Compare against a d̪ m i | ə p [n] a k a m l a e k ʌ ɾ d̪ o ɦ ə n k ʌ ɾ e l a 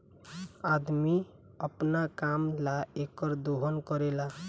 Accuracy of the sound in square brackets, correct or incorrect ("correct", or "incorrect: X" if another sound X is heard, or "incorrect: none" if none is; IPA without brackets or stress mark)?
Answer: correct